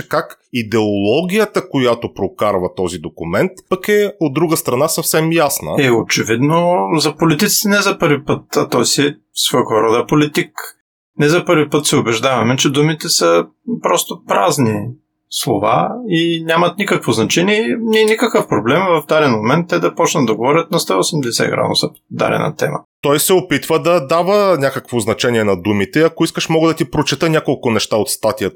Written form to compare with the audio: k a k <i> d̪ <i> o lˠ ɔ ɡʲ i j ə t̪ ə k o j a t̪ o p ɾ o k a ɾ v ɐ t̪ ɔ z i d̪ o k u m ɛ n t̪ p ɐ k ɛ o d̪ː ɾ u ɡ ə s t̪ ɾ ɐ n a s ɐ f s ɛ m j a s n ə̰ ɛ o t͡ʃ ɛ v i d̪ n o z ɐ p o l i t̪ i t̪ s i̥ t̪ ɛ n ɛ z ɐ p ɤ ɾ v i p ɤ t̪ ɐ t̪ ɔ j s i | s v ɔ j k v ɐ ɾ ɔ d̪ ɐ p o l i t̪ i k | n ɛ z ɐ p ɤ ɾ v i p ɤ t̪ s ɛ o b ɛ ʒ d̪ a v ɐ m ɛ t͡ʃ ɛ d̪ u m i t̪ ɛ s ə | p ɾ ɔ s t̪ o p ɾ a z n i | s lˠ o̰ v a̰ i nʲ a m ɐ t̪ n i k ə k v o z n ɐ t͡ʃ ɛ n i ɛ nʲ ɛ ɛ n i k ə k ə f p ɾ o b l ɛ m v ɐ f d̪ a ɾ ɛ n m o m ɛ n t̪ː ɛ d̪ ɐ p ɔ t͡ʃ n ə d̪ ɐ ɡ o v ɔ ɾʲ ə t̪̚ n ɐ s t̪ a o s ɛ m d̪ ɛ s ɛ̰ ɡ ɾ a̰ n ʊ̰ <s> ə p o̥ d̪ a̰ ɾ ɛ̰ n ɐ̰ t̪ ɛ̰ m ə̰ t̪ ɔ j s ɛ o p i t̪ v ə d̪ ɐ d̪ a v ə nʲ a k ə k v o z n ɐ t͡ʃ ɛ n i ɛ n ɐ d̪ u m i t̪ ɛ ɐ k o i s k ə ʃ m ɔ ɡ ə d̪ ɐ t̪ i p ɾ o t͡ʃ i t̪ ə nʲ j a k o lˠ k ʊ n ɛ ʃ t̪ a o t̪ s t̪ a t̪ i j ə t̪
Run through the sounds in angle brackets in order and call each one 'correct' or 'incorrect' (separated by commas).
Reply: correct, incorrect, correct